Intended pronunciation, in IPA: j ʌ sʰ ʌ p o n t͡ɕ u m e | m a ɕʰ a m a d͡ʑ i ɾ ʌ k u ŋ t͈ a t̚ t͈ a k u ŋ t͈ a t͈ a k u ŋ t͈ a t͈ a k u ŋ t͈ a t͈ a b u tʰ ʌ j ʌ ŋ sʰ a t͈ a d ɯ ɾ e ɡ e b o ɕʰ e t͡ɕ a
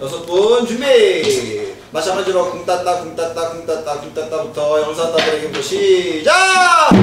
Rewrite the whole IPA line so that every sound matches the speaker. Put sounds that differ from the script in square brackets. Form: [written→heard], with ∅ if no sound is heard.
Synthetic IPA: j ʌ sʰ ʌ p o n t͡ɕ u m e | m a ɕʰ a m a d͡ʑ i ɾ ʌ k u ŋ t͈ a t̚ t͈ a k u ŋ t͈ a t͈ a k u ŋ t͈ a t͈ a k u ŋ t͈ a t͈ a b u tʰ ʌ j ʌ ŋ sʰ a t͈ a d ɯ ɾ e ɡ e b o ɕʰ [e→i] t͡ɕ a